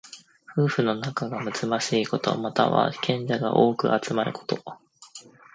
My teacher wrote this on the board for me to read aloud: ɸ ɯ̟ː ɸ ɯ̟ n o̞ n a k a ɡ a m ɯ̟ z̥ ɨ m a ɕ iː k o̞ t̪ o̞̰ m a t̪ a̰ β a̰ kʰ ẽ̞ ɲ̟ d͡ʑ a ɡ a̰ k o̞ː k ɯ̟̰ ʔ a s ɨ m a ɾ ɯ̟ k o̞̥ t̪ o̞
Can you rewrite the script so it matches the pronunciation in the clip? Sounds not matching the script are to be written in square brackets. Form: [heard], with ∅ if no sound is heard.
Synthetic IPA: ɸ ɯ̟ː ɸ ɯ̟ n o̞ n a k a ɡ a m ɯ̟ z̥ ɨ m a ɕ iː k o̞ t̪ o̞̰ m a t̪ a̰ β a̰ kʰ ẽ̞ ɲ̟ d͡ʑ a ɡ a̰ [ʔ] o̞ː k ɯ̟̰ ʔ a [t͡s] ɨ m a ɾ ɯ̟ k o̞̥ t̪ o̞